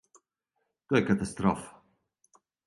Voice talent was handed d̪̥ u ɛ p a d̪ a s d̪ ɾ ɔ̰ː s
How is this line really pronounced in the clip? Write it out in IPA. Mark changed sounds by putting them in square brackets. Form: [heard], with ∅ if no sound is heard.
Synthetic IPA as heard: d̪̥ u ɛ [k] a [t̪] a s [t̪] ɾ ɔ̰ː [f]